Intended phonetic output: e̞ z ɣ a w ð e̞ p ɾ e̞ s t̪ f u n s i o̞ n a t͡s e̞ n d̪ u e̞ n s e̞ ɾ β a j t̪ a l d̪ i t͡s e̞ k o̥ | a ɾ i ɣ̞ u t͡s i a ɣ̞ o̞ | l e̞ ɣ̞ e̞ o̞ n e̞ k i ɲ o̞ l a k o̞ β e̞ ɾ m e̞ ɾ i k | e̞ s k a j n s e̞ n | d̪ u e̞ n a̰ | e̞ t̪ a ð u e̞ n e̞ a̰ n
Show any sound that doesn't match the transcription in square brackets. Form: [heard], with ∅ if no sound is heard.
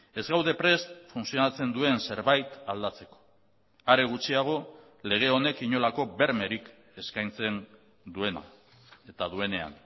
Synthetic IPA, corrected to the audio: e̞ z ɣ a w ð e̞ p ɾ e̞ s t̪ f u n s i o̞ n a t͡s e̞ n d̪ u e̞ n s e̞ ɾ β a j t̪ a l d̪ [a] t͡s e̞ k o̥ | a ɾ [e] ɣ̞ u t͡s i a ɣ̞ o̞ | l e̞ ɣ̞ e̞ o̞ n e̞ k i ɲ o̞ l a k o̞ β e̞ ɾ m e̞ ɾ i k | e̞ s k a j n [t͡s] e̞ n | d̪ u e̞ n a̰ | e̞ t̪ a ð u e̞ n e̞ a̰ n